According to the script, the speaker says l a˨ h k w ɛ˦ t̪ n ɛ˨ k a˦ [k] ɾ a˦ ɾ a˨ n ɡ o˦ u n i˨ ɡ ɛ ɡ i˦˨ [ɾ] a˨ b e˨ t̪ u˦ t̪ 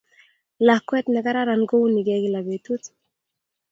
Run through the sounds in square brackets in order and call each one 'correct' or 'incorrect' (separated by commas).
incorrect, incorrect